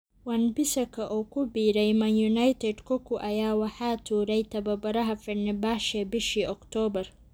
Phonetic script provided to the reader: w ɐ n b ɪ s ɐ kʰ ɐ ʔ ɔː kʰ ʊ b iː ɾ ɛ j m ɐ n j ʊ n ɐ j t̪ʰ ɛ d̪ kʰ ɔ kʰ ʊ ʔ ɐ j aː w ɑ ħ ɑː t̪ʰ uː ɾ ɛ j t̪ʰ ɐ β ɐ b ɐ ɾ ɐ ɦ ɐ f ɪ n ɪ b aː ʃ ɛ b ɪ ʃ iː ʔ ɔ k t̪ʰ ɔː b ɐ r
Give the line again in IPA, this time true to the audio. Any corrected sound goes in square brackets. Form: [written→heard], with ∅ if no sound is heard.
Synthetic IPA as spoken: w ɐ n b ɪ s ɐ kʰ ɐ ʔ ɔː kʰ ʊ b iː ɾ ɛ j m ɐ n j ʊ n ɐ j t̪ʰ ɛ d̪ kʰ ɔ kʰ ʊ ʔ ɐ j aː w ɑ ħ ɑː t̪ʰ uː ɾ ɛ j t̪ʰ ɐ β ɐ b ɐ ɾ ɐ ɦ ɐ f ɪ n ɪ b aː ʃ ɛ b ɪ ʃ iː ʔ ɔ k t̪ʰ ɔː b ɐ r